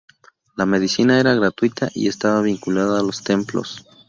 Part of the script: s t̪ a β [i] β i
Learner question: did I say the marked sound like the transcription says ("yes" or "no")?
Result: no